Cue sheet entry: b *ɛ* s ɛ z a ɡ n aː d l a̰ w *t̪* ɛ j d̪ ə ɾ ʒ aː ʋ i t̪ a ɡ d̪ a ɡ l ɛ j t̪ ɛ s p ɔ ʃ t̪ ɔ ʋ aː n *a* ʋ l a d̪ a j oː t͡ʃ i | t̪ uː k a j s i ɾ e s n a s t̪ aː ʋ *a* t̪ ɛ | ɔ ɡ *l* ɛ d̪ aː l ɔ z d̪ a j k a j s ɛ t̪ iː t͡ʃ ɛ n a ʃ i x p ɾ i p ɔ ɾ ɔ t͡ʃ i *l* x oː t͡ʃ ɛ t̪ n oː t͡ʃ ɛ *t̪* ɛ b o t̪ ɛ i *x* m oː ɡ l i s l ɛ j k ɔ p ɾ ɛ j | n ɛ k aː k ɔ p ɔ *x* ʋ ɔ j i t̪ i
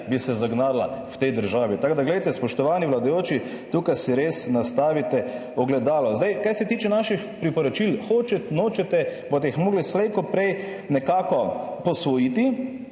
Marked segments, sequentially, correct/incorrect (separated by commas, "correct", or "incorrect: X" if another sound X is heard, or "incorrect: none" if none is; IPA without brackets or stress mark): incorrect: i, correct, incorrect: i, incorrect: i, correct, correct, correct, correct, incorrect: s